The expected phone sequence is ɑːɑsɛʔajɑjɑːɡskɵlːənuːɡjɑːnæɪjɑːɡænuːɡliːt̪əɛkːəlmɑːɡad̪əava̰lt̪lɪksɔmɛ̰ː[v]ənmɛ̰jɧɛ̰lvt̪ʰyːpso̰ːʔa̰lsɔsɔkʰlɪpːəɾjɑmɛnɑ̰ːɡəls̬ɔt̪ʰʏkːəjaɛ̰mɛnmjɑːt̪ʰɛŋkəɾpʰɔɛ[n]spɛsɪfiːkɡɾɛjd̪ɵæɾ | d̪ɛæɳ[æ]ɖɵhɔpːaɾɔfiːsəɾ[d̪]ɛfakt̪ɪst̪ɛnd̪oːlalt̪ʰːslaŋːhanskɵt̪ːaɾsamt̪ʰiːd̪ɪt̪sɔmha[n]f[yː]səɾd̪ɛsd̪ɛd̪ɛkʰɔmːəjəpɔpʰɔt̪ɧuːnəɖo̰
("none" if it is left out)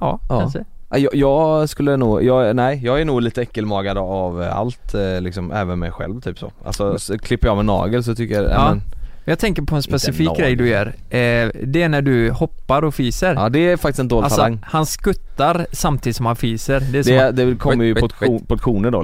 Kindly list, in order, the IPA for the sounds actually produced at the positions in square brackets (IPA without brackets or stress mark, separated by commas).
v, n, æ, d̪, n, iː